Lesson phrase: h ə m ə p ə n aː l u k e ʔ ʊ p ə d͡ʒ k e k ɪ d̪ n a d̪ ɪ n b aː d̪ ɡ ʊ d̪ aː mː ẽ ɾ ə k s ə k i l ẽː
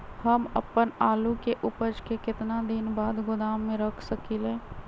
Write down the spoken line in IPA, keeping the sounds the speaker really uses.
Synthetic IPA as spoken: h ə m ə p ə n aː l u k e ʔ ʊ p ə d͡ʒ k e k ɪ t̪ n a d̪ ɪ n b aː d̪ ɡ ʊ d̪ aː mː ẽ ɾ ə kʰ s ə k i l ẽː